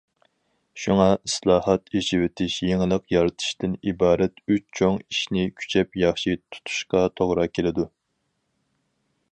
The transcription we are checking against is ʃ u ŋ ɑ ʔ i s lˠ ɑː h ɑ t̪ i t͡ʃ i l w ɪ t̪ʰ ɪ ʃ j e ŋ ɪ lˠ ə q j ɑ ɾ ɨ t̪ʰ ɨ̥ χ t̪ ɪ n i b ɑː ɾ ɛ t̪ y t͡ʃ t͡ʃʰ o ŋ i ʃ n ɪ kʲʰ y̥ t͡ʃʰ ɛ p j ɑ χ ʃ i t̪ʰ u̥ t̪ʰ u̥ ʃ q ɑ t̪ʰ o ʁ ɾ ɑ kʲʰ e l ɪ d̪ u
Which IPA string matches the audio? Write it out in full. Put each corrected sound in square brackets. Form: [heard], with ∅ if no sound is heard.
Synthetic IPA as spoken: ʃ u ŋ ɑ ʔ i s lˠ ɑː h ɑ t̪ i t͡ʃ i [∅] w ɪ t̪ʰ ɪ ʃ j e ŋ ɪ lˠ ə q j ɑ ɾ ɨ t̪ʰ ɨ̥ [ʃ] t̪ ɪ n i b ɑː ɾ ɛ t̪ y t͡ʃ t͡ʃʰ o ŋ i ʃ n ɪ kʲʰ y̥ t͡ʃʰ ɛ p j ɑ χ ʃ i t̪ʰ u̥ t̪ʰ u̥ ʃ q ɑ t̪ʰ o ʁ ɾ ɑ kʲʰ e l ɪ d̪ u